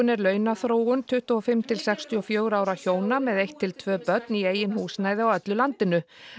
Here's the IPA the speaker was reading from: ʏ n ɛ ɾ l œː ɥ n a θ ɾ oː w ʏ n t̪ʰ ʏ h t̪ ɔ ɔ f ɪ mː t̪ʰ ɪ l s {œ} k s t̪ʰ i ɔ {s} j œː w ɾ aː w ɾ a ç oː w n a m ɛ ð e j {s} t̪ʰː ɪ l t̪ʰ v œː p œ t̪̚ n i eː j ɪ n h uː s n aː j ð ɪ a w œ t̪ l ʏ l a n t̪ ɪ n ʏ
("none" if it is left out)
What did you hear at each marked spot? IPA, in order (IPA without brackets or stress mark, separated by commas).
ɛ, f, h